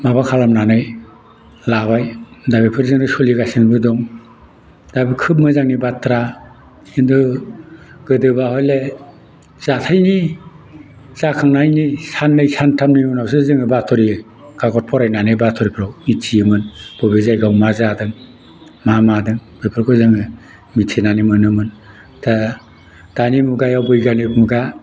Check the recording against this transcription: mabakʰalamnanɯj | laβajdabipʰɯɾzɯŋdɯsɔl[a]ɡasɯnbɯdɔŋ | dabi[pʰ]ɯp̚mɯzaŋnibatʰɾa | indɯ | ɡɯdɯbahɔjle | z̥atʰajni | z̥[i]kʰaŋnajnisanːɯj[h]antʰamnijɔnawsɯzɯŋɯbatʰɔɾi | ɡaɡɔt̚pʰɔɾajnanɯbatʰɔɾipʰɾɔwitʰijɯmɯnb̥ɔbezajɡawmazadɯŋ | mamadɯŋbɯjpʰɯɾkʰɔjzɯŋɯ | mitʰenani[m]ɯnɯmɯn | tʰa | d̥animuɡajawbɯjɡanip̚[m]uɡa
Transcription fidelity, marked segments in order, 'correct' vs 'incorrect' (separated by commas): incorrect, incorrect, incorrect, incorrect, correct, correct